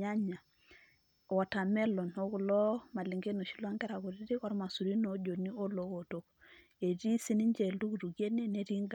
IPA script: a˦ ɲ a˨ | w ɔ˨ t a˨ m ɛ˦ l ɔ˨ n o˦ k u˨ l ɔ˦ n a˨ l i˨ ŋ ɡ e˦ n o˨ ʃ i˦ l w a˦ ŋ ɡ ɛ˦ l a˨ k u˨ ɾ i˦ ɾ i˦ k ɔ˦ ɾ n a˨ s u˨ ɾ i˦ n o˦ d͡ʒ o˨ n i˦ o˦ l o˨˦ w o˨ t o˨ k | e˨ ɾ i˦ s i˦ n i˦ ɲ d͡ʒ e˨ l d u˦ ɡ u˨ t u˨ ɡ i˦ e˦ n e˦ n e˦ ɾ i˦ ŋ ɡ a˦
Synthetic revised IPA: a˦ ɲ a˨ | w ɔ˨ t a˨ m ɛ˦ l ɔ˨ n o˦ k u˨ l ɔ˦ m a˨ l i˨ ŋ ɡ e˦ n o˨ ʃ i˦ l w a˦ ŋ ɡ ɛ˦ ɾ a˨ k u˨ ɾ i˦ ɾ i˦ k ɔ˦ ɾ m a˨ s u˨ ɾ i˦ n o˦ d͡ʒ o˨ n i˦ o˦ l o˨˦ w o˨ t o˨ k | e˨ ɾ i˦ s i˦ n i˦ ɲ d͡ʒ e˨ l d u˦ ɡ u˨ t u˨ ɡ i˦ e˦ n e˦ n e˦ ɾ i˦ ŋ ɡ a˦